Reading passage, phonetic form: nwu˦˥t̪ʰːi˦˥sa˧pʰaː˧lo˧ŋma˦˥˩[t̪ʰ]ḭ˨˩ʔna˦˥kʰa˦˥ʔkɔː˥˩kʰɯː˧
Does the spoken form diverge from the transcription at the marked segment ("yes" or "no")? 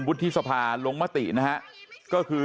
yes